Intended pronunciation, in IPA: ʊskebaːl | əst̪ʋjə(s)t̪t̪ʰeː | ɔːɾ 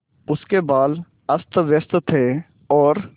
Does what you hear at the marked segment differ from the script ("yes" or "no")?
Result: no